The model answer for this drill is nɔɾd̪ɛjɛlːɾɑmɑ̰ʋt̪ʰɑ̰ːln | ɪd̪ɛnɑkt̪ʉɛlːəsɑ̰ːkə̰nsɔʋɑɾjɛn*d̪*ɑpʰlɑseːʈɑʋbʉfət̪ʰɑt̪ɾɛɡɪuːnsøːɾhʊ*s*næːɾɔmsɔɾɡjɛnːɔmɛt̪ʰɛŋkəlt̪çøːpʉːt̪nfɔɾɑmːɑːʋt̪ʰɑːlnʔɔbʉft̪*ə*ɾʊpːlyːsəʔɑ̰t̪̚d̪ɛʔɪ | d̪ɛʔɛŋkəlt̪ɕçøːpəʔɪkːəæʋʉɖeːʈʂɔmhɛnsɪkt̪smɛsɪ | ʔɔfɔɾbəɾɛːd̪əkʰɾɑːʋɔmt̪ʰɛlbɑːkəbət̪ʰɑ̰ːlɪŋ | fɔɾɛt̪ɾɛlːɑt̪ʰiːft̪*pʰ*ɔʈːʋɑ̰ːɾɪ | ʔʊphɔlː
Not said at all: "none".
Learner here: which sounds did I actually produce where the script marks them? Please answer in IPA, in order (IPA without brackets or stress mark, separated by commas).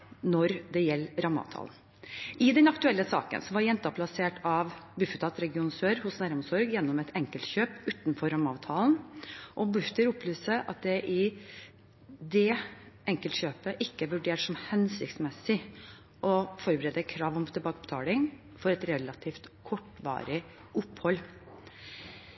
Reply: t̪, s, ə, kʰ